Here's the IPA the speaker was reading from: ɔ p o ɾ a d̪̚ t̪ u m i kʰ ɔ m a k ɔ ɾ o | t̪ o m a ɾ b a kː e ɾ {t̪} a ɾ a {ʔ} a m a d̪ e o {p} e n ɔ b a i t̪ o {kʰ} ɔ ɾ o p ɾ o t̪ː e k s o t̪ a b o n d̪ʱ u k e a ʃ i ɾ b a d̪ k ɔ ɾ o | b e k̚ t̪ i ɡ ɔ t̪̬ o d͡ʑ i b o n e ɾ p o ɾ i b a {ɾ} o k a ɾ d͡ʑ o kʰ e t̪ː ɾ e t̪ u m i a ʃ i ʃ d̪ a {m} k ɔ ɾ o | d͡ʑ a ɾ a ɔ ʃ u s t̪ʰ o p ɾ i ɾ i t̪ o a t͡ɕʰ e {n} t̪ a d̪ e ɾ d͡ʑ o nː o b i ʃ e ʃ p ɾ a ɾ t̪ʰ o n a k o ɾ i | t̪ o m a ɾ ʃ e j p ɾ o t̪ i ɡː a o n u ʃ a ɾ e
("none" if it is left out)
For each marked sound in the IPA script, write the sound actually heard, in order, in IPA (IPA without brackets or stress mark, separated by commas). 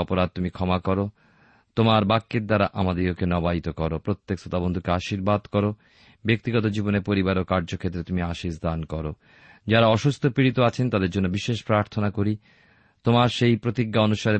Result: d̪, ʔ, k, k, ɾ, n, n